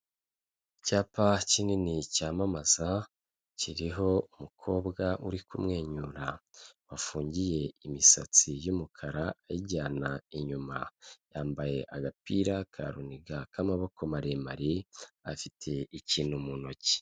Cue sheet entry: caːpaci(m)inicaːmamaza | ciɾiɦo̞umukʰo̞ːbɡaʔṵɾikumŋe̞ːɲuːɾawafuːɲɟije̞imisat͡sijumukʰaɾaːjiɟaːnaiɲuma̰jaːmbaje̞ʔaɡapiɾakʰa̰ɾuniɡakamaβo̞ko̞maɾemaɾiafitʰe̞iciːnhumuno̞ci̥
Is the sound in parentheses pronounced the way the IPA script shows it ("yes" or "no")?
no